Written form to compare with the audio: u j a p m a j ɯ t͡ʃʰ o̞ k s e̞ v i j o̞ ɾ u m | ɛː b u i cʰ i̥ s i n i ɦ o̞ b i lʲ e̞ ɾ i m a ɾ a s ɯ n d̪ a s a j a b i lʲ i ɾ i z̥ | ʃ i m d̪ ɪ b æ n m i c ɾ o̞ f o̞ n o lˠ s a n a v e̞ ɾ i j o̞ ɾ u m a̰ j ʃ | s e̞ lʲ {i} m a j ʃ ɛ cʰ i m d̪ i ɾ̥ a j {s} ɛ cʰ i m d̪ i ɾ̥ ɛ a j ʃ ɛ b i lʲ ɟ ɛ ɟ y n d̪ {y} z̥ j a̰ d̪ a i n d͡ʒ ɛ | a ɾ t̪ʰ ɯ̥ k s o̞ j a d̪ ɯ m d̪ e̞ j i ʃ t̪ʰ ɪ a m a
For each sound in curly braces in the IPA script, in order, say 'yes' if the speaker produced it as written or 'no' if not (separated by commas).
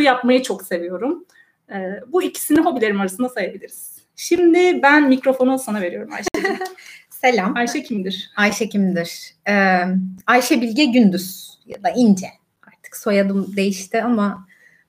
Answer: no, no, yes